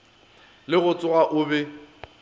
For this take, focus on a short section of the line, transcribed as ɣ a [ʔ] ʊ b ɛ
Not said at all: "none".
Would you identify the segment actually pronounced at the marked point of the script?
ʔ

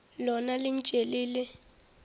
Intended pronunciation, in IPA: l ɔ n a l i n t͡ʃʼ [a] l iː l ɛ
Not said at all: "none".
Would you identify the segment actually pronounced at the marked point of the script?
e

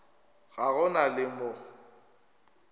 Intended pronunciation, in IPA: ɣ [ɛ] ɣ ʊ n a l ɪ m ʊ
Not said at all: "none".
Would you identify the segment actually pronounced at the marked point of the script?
a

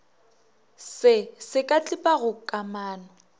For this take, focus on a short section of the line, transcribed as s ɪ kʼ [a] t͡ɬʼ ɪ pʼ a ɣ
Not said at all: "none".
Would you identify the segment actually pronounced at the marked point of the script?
a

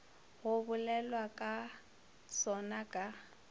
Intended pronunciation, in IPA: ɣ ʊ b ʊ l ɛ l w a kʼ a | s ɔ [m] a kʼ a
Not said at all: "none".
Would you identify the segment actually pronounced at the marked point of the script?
n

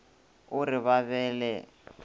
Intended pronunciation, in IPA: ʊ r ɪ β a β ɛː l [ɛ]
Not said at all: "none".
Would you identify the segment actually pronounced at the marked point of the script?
ɛ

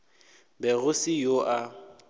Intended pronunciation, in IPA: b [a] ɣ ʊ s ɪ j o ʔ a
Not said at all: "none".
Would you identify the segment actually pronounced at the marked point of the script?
ɛ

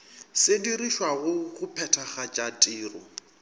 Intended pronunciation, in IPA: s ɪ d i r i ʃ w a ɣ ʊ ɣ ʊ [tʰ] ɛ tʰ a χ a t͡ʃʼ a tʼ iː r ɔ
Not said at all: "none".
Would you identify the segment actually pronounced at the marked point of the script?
pʰ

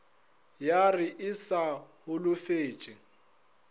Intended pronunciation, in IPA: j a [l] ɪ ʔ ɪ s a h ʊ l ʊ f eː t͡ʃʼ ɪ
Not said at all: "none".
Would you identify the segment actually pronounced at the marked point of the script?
r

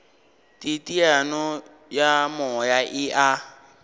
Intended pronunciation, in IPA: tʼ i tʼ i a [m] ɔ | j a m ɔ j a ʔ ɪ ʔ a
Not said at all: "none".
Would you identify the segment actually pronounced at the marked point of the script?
n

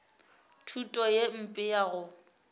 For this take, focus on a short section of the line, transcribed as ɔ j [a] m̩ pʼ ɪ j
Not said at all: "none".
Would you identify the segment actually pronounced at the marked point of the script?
e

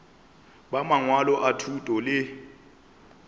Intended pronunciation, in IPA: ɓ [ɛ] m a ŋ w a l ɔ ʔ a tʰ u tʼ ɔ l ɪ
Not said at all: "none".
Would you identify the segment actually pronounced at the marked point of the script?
a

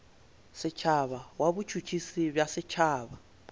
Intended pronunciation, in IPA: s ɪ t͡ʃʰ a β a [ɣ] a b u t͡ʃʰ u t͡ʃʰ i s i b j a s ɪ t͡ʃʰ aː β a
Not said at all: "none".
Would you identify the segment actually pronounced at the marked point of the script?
w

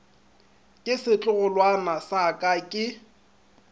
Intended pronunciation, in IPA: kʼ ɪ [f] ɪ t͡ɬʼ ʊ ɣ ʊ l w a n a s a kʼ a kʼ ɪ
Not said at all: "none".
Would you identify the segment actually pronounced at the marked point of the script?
s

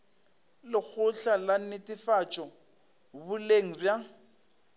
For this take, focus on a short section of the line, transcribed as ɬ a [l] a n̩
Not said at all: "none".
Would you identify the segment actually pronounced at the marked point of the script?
l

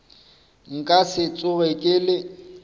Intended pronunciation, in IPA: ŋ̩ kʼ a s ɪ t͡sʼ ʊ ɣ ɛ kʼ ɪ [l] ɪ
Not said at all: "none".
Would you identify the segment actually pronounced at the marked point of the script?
l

